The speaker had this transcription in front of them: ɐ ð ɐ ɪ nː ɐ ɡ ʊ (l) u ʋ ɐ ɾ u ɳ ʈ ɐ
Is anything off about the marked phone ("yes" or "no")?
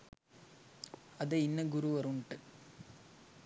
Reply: yes